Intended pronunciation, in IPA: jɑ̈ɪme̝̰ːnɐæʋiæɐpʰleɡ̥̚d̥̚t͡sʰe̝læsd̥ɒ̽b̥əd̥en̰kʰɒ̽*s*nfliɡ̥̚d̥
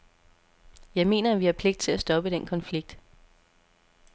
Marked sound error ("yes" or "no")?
yes